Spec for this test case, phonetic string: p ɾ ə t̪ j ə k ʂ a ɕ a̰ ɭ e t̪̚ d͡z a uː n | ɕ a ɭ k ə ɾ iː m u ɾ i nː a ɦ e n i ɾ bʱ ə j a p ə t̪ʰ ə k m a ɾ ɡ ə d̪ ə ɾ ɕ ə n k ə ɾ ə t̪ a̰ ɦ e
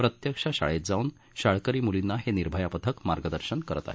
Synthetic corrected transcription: p ɾ ə t̪ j ə k ʂ a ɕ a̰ ɭ e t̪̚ d͡z a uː n | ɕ a ɭ k ə ɾ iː m u l i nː a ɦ e n i ɾ bʱ ə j a p ə t̪ʰ ə k m a ɾ ɡ ə d̪ ə ɾ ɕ ə n k ə ɾ ə t̪ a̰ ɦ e